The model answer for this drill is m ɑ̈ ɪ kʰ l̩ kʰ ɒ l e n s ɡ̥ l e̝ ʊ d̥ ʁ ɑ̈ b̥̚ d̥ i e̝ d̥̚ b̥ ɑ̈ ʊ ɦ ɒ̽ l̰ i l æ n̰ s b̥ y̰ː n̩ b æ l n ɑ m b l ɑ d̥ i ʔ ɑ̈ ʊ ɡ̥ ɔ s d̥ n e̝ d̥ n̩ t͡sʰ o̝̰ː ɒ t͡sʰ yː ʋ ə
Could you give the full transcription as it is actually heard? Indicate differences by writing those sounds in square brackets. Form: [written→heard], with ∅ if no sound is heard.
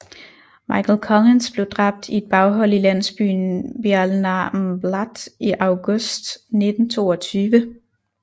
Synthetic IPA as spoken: m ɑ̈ ɪ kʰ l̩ kʰ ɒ l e n s [ɡ̥→b̥] l e̝ ʊ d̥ ʁ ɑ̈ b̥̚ d̥ i e̝ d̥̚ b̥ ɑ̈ ʊ ɦ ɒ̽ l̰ i l æ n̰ s b̥ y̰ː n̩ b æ l n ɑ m b l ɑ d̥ i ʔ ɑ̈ ʊ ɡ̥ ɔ s d̥ n e̝ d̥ n̩ t͡sʰ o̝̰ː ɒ t͡sʰ yː ʋ ə